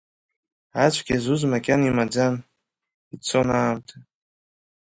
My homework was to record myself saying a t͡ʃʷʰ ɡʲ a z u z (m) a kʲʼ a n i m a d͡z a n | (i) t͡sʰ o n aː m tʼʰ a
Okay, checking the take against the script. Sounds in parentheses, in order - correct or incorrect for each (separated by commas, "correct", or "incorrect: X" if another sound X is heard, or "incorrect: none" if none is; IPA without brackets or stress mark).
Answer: correct, correct